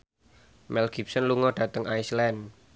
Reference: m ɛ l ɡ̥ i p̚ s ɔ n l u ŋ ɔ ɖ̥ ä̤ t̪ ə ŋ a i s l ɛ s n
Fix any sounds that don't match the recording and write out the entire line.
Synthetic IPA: m ɛ l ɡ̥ i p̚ s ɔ n l u ŋ ɔ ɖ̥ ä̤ t̪ ə ŋ a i s l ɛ n